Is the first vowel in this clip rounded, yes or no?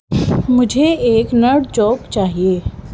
yes